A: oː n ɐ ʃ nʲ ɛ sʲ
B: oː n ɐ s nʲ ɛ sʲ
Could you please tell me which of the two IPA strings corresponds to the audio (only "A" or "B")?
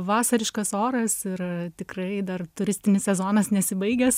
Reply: B